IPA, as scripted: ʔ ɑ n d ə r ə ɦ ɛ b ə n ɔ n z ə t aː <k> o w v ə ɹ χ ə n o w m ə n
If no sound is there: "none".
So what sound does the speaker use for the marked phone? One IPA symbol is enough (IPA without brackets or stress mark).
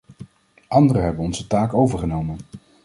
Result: k